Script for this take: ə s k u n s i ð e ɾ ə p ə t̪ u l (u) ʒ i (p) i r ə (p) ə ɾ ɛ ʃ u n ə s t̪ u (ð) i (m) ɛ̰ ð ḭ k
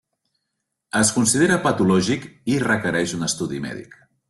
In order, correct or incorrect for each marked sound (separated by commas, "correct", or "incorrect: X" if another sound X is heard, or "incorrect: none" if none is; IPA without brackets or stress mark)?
incorrect: ɔ, incorrect: k, incorrect: k, correct, correct